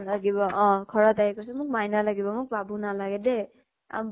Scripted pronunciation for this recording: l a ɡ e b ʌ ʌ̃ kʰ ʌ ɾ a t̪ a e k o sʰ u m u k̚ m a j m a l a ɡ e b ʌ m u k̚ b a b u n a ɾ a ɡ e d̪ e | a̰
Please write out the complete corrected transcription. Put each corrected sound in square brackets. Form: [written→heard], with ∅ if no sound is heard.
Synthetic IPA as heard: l a ɡ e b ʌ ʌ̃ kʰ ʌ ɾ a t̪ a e k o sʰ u m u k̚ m a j [m→n] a l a ɡ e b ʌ m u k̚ b a b u n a [ɾ→l] a ɡ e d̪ e | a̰